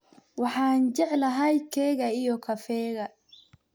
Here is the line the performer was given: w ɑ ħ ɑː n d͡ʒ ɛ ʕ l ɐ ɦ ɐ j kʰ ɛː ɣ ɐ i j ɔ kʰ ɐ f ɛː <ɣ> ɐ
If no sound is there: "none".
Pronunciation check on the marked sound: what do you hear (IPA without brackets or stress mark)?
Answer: ɣ